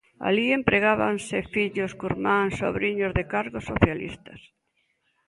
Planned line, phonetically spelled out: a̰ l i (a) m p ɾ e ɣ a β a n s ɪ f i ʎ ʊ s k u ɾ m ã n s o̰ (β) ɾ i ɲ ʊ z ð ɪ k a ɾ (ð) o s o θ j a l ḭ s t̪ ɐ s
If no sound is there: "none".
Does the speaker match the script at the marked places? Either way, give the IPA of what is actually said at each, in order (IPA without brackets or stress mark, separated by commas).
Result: e, β, ɣ